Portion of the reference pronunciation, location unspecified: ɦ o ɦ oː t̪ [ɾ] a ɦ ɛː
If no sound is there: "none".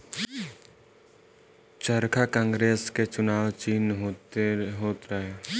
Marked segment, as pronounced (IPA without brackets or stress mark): ɾ